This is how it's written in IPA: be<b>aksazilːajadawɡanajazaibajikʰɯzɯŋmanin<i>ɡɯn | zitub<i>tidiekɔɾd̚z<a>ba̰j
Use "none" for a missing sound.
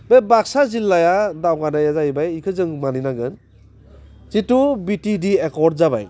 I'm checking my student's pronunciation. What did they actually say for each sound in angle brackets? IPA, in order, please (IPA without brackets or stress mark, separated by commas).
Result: b, a, i, a